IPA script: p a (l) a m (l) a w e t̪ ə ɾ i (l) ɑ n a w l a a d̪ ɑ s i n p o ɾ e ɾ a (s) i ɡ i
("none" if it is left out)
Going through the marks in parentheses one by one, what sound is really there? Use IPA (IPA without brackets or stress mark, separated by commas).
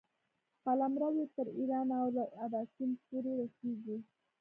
l, ɾ, ɾ, s